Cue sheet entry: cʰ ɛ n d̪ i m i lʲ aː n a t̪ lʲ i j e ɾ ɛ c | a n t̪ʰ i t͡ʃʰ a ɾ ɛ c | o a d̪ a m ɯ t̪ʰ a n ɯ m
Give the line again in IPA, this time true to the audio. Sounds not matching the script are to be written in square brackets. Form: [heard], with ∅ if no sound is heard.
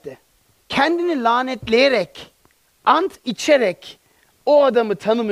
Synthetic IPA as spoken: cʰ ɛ n d̪ i [n] i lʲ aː n [ɛ] t̪ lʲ [e] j e ɾ ɛ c | a n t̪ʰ i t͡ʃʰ [e] ɾ ɛ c | o a d̪ a m ɯ t̪ʰ a n ɯ m